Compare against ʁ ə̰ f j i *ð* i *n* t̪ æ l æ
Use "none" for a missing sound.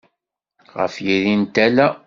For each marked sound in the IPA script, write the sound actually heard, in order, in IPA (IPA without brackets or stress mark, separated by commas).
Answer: ð, n